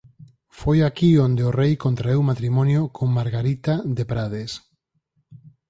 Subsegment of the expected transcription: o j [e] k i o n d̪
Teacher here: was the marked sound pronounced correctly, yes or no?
no